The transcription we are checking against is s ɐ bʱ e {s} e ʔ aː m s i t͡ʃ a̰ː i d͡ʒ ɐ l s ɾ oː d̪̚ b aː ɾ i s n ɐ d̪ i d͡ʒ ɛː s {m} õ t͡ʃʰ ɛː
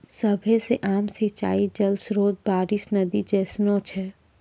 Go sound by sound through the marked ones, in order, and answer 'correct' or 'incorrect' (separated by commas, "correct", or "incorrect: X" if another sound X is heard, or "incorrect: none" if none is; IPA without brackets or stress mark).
correct, incorrect: n